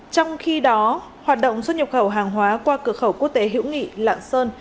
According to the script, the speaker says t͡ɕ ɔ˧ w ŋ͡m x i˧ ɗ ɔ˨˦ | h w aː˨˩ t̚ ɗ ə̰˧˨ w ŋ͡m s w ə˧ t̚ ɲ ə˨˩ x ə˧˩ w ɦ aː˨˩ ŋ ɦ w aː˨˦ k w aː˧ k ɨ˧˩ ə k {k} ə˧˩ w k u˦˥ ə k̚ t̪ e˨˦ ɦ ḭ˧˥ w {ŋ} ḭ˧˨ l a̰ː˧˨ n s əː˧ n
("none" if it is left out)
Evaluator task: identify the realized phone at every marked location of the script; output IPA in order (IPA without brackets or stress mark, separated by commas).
x, ŋ